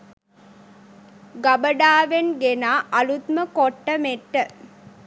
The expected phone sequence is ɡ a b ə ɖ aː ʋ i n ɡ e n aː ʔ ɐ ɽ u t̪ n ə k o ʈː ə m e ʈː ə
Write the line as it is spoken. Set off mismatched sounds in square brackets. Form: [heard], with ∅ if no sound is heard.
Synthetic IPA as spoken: ɡ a b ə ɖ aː ʋ [e] n ɡ e n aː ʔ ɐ [l] u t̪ [m] ə k o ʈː ə m e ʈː ə